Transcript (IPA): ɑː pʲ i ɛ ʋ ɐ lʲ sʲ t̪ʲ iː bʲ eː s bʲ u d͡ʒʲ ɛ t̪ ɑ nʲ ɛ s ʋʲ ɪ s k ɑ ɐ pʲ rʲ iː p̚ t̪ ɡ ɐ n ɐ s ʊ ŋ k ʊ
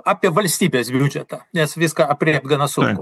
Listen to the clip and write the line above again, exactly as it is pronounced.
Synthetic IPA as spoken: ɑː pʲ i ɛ ʋ ɐ lʲ sʲ t̪ʲ iː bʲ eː s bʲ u d͡ʒʲ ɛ t̪ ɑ nʲ ɛ s ʋʲ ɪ s k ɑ ɐ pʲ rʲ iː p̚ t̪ ɡ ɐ n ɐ s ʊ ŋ k ʊ

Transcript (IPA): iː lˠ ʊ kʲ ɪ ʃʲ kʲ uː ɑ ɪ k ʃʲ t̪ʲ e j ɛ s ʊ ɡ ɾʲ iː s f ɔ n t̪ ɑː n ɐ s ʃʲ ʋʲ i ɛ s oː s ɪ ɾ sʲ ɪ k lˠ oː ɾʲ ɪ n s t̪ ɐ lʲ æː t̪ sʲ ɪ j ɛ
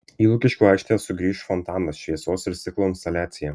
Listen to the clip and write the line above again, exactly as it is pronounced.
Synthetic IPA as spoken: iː lˠ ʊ kʲ ɪ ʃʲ kʲ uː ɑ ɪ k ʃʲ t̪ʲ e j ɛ s ʊ ɡ ɾʲ iː ʃ f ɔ n t̪ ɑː n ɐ s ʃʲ ʋʲ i ɛ s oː s ɪ ɾ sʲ ɪ k lˠ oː ɪ n s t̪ ɐ lʲ æː t̪ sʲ ɪ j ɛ

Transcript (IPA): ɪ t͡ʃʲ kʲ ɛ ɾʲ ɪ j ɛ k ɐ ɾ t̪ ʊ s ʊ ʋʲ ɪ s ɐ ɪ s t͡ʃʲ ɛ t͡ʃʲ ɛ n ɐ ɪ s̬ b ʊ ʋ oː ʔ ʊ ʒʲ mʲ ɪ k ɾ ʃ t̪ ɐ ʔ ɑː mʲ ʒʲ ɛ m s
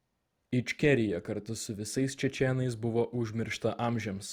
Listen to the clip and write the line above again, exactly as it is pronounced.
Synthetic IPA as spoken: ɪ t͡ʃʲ kʲ ɛ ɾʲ ɪ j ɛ k ɐ ɾ t̪ ʊ s ʊ ʋʲ ɪ s ɐ ɪ s t͡ʃʲ ɛ t͡ʃʲ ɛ n ɐ ɪ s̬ b ʊ ʋ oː ʔ ʊ ʒʲ mʲ ɪ ɾ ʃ t̪ ɐ ʔ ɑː mʲ ʒʲ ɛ m s

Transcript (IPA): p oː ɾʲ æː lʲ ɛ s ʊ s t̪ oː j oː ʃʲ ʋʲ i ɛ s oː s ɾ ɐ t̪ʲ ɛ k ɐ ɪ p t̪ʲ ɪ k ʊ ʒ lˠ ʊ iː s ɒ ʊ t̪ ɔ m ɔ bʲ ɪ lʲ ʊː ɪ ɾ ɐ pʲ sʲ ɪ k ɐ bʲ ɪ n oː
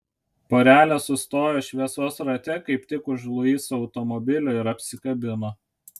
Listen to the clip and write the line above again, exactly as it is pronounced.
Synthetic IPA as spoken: p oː ɾʲ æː lʲ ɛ s ʊ s t̪ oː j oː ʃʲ ʋʲ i ɛ s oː s ɾ ɐ t̪ʲ ɛ k ɐ ɪ p t̪ʲ ɪ k ʊ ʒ lˠ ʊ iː s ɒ ʊ t̪ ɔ m ɔ bʲ ɪ lʲ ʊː ɪ ɾ ɐ pʲ sʲ ɪ k ɐ bʲ ɪ n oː

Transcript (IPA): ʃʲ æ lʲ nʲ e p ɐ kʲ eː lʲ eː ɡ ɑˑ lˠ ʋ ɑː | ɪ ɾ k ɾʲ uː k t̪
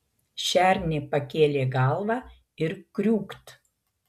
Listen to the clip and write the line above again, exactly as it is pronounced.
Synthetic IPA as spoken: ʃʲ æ ɾʲ nʲ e p ɐ kʲ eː lʲ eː ɡ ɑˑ lˠ ʋ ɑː | ɪ ɾ k ɾʲ uː k t̪

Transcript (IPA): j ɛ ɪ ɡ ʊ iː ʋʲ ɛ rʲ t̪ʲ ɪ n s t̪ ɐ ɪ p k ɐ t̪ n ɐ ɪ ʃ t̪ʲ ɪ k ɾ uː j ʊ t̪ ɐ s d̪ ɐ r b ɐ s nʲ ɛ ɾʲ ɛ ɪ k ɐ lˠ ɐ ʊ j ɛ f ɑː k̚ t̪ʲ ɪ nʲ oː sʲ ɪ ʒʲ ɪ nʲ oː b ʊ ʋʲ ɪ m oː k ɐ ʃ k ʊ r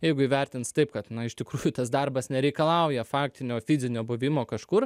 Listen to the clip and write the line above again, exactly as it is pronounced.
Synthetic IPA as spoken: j ɛ ɪ ɡ ʊ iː ʋʲ ɛ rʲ t̪ʲ ɪ n s t̪ ɐ ɪ p k ɐ t̪ n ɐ ɪ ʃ t̪ʲ ɪ k ɾ uː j ʊ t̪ ɐ s d̪ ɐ r b ɐ s nʲ ɛ ɾʲ ɛ ɪ k ɐ lˠ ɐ ʊ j ɛ f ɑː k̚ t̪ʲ ɪ nʲ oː fʲ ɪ zʲ ɪ nʲ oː b ʊ ʋʲ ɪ m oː k ɐ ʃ k ʊ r

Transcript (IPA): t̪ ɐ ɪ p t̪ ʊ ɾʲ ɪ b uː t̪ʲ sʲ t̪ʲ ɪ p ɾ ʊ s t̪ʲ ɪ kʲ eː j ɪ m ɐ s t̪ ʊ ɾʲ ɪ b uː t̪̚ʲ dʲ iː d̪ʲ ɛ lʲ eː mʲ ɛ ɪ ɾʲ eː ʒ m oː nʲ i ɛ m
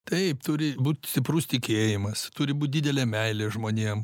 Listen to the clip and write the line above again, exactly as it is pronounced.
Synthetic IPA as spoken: t̪ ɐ ɪ p t̪ ʊ ɾʲ ɪ b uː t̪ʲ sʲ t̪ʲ ɪ p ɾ ʊ s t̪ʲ ɪ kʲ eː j ɪ m ɐ s t̪ ʊ ɾʲ ɪ b uː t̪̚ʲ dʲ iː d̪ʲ ɛ lʲ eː mʲ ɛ ɪ lʲ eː ʒ m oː nʲ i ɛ m

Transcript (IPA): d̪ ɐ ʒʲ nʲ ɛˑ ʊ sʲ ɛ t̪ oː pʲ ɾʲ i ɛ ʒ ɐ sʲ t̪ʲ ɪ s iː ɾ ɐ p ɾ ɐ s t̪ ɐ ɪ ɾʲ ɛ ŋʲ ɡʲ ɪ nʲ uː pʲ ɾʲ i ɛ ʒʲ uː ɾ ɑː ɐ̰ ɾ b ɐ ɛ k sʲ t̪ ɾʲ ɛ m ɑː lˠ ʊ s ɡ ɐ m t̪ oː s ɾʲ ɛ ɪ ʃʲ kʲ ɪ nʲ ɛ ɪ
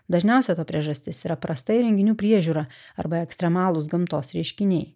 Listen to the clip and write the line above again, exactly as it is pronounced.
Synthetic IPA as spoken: d̪ ɐ ʒʲ nʲ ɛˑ ʊ sʲ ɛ t̪ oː pʲ ɾʲ i ɛ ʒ ɐ sʲ t̪ʲ ɪ s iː ɾ ɐ p ɾ ɐ s t̪ ɐ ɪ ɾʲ ɛ ŋʲ ɡʲ ɪ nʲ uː pʲ ɾʲ i ɛ ʒʲ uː ɾ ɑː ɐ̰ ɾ b ɐ ɛ k sʲ t̪ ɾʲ ɛ m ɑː lˠ ʊ s ɡ ɐ m t̪ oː s ɾʲ ɛ ɪ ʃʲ kʲ ɪ nʲ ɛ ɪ

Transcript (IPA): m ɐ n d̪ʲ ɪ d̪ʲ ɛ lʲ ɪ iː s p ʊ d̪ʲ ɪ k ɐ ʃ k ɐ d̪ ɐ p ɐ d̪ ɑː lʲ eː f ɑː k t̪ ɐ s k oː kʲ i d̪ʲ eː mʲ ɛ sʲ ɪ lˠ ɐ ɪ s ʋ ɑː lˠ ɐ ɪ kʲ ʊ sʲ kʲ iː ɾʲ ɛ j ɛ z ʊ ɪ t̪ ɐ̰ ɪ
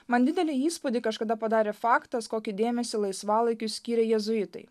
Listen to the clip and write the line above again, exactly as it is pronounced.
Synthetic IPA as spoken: m ɐ n d̪ʲ ɪ d̪ʲ ɛ lʲ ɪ iː s p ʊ d̪ʲ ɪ k ɐ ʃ k ɐ d̪ ɐ p ɐ d̪ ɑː ɾʲ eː f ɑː k t̪ ɐ s k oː kʲ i d̪ʲ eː mʲ ɛ sʲ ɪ lˠ ɐ ɪ s ʋ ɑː lˠ ɐ ɪ kʲ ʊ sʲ kʲ iː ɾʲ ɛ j ɛ z ʊ ɪ t̪ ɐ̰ ɪ

